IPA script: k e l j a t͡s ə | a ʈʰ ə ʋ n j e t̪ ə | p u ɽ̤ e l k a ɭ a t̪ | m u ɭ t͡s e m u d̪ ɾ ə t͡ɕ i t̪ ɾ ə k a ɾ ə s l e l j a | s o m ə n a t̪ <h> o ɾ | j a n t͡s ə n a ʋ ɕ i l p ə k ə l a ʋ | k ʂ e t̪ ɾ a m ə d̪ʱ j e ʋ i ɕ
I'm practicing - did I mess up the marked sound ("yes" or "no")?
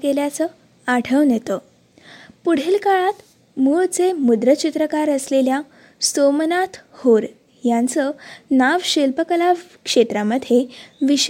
no